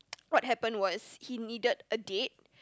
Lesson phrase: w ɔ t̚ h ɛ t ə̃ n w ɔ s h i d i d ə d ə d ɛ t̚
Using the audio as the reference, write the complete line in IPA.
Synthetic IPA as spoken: w ɔ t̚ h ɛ p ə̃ n w ɔ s h i n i d ə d ə d e t̚